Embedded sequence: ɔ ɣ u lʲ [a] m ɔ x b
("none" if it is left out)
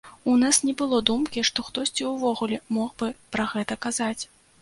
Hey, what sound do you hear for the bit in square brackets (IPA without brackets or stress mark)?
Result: ɛ